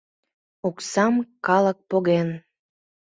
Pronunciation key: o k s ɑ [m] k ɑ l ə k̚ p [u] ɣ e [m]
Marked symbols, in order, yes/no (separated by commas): yes, no, no